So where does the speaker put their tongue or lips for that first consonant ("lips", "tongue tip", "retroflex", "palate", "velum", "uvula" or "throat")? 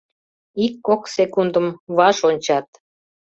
velum